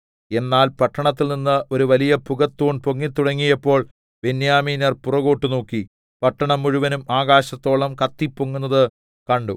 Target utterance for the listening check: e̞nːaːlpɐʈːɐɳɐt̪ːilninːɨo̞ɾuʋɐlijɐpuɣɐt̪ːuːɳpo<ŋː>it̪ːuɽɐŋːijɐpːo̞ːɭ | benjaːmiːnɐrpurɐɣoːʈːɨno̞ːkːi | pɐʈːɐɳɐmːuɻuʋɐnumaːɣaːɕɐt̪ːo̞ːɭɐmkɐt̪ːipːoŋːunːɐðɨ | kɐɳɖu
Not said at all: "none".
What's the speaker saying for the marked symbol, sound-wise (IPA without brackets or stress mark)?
ŋː